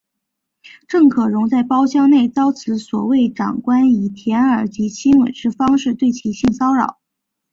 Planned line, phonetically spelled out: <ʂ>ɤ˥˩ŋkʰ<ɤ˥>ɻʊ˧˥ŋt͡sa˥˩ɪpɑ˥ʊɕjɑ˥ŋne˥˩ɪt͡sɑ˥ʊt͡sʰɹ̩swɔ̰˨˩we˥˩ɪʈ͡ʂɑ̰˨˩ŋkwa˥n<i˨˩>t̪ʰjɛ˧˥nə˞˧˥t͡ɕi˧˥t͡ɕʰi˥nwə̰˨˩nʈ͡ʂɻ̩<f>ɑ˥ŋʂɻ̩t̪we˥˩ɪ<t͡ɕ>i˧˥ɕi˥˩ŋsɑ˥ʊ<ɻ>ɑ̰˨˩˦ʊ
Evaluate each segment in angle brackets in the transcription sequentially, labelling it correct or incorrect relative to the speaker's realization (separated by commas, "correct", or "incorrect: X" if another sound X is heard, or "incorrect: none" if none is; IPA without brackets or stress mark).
incorrect: ʈ͡ʂ, incorrect: ɤ˨˩, correct, correct, incorrect: t͡ɕʰ, correct